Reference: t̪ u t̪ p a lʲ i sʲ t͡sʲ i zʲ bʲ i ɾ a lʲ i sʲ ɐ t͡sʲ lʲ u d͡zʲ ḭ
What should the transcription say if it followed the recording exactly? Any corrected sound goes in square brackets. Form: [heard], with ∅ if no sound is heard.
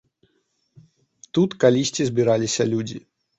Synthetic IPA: t̪ u t̪ [k] a lʲ i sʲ t͡sʲ i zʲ bʲ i ɾ a lʲ i sʲ ɐ [∅] lʲ u d͡zʲ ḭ

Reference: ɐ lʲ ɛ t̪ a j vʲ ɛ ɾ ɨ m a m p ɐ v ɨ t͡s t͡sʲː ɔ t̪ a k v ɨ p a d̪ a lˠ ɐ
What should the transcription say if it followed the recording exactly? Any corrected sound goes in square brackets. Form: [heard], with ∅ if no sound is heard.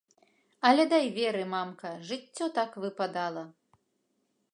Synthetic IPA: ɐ lʲ ɛ [d̪] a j vʲ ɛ ɾ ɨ m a m [k] ɐ [ʐ] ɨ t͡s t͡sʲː ɔ t̪ a k v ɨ p a d̪ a lˠ ɐ

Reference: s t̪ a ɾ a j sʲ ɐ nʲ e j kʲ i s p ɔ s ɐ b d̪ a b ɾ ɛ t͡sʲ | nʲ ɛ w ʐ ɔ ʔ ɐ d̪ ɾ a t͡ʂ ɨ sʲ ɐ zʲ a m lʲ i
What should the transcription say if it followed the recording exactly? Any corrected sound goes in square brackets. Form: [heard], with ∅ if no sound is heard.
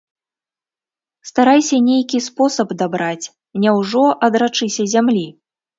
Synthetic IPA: s t̪ a ɾ a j sʲ ɐ nʲ e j kʲ i s p ɔ s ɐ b d̪ a b ɾ [a] t͡sʲ | nʲ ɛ w ʐ ɔ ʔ ɐ d̪ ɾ a t͡ʂ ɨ sʲ ɐ zʲ a m lʲ i

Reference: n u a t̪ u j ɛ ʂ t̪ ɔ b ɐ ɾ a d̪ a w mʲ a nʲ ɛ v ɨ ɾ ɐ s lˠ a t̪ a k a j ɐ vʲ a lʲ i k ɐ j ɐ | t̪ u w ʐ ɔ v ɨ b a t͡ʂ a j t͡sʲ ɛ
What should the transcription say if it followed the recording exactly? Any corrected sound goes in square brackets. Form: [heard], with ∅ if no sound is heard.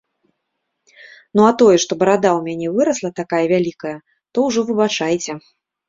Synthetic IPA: n u a t̪ [ɔ] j ɛ ʂ t̪ ɔ b ɐ ɾ a d̪ a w mʲ a nʲ ɛ v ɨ ɾ ɐ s lˠ [ɐ] t̪ a k a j ɐ vʲ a lʲ i k ɐ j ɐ | t̪ [ɔ] w ʐ ɔ v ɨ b a t͡ʂ a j t͡sʲ ɛ

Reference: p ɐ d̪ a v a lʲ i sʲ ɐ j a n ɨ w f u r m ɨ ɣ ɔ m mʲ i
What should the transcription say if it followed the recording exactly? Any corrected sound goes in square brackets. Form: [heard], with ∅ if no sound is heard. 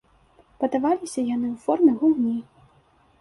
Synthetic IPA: p ɐ d̪ a v a lʲ i sʲ ɐ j a n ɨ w f [ɔ] r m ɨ ɣ [u] m [nʲ] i

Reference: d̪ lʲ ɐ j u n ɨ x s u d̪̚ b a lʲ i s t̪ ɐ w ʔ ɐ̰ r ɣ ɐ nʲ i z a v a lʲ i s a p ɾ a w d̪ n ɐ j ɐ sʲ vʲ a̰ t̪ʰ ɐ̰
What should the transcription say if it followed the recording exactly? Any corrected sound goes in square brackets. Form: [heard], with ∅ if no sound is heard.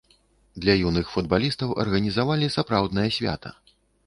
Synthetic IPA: d̪ lʲ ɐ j u n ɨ x [f] u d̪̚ b a lʲ i s t̪ ɐ w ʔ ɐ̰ r ɣ ɐ nʲ i z a v a lʲ i s a p ɾ a w d̪ n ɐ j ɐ sʲ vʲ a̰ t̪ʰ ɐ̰

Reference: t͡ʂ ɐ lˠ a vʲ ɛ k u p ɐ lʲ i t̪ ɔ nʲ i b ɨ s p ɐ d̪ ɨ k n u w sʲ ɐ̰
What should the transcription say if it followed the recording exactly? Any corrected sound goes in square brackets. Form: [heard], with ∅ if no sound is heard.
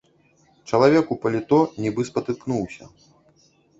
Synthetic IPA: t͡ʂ ɐ lˠ a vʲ ɛ k u p ɐ lʲ i t̪ ɔ nʲ i b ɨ s p ɐ [t̪] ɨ k n u w sʲ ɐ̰

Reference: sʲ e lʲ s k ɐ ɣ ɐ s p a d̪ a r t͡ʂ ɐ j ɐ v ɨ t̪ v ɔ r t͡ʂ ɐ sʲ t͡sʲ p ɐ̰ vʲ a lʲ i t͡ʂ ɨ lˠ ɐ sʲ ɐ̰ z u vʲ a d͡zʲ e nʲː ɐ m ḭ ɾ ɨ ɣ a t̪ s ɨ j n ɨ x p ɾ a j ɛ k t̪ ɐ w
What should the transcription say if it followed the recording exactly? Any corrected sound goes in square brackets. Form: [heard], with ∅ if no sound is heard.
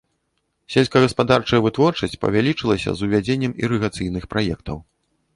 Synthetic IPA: sʲ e lʲ s k ɐ ɣ ɐ s p a d̪ a r t͡ʂ ɐ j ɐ v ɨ t̪ v ɔ r t͡ʂ ɐ sʲ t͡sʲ p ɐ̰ vʲ a lʲ i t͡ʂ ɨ lˠ ɐ sʲ ɐ̰ z u vʲ a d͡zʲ e nʲː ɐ m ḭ ɾ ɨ ɣ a t̪ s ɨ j n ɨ x p ɾ a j ɛ k t̪ ɐ w

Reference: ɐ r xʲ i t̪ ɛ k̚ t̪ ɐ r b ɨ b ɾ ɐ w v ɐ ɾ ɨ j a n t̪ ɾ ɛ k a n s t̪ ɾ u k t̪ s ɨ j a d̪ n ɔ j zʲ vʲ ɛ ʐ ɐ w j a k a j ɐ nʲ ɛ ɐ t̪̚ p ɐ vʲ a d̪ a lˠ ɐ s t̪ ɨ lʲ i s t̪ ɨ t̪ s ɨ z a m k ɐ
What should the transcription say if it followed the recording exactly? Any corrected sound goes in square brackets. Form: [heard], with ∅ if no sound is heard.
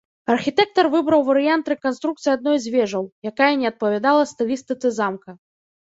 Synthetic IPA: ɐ r xʲ i t̪ ɛ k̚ t̪ ɐ r [v] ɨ b ɾ ɐ w v ɐ ɾ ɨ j a n t̪ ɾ ɛ k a n s t̪ ɾ u k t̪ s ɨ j a d̪ n ɔ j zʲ vʲ ɛ ʐ ɐ w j a k a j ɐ nʲ ɛ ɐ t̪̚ p ɐ vʲ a d̪ a lˠ ɐ s t̪ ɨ lʲ i s t̪ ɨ t̪ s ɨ z a m k ɐ

